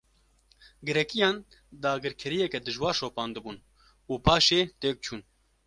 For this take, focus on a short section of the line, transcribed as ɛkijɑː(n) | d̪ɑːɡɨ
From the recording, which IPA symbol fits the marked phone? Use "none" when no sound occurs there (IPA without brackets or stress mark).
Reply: n